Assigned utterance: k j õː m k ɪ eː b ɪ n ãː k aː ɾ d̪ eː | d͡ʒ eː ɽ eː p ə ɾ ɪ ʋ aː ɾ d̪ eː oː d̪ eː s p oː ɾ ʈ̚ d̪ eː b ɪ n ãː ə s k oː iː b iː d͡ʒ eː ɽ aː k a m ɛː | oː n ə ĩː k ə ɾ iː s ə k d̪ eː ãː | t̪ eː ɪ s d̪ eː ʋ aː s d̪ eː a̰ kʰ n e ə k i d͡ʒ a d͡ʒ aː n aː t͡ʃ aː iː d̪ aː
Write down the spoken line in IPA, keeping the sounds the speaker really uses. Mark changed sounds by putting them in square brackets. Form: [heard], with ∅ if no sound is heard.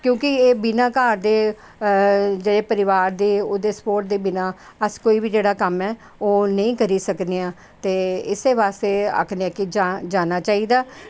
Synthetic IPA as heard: k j õː [∅] k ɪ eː b ɪ n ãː k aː ɾ d̪ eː | d͡ʒ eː ɽ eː p ə ɾ ɪ ʋ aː ɾ d̪ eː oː d̪ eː s p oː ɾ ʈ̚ d̪ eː b ɪ n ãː ə s k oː iː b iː d͡ʒ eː ɽ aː k [ə] m ɛː | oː n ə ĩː k ə ɾ iː s ə k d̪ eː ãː | t̪ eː ɪ s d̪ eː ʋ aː s [t̪] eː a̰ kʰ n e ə k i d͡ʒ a d͡ʒ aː n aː t͡ʃ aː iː d̪ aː

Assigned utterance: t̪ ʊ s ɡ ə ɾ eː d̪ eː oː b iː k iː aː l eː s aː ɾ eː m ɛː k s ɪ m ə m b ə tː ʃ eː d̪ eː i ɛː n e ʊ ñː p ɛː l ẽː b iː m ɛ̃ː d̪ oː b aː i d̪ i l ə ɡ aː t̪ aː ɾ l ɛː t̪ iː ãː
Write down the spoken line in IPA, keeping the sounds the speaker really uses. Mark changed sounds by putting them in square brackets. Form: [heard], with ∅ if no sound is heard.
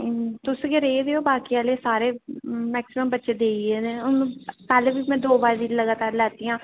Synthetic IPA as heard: t̪ ʊ s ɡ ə ɾ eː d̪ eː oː b [aː] k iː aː l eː s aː ɾ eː m ɛː k s ɪ m ə m b ə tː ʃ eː d̪ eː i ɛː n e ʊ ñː p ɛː l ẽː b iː m ɛ̃ː d̪ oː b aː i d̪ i l ə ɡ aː t̪ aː ɾ l ɛː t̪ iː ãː

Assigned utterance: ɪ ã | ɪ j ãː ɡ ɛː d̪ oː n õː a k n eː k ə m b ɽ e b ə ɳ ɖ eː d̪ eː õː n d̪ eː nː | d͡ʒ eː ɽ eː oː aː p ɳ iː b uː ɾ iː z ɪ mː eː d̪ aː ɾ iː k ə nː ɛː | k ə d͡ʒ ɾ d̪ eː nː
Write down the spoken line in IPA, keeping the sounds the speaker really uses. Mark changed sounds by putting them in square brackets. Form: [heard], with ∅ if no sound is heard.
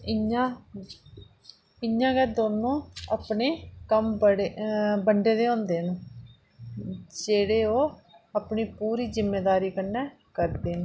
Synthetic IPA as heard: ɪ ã | ɪ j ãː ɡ ɛː d̪ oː n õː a [p] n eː k ə m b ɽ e b ə ɳ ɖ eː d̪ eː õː n d̪ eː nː | d͡ʒ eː ɽ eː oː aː p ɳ iː [p] uː ɾ iː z ɪ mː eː d̪ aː ɾ iː k ə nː ɛː | k ə [∅] ɾ d̪ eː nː

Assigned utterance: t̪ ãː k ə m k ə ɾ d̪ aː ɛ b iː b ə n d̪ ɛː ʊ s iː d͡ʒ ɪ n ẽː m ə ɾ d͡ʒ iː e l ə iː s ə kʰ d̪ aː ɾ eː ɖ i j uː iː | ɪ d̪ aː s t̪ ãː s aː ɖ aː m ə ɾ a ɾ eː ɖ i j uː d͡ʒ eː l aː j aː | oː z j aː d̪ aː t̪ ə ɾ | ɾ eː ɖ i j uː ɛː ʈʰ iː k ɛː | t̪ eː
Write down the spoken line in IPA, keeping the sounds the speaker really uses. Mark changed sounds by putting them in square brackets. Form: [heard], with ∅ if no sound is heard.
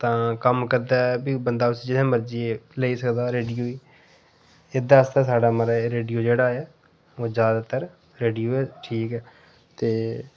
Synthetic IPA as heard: t̪ ãː k ə m k ə ɾ d̪ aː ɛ b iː b ə n d̪ [aː] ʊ s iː d͡ʒ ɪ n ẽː m ə ɾ d͡ʒ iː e l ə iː s ə [k] d̪ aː ɾ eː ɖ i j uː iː | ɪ d̪ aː s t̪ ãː s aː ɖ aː m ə ɾ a ɾ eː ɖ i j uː d͡ʒ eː [ɽ] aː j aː | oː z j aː d̪ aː t̪ ə ɾ | ɾ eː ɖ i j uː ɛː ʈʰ iː k ɛː | t̪ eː

